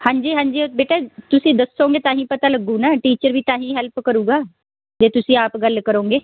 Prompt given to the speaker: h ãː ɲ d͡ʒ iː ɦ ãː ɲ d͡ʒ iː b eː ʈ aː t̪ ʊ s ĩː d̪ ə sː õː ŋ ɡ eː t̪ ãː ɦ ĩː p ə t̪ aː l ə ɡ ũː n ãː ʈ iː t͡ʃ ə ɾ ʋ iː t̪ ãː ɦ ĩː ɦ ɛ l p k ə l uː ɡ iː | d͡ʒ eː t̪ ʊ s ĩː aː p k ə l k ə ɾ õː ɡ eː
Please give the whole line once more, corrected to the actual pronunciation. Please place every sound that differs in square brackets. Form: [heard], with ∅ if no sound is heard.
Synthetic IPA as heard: h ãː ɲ d͡ʒ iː ɦ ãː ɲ d͡ʒ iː b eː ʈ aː t̪ ʊ s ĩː d̪ ə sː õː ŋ ɡ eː t̪ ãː ɦ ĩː p ə t̪ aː l ə ɡ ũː n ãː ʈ iː t͡ʃ ə ɾ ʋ iː t̪ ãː ɦ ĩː ɦ ɛ l p k ə [ɾ] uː ɡ [aː] | d͡ʒ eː t̪ ʊ s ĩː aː p [ɡ] ə l k ə ɾ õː ɡ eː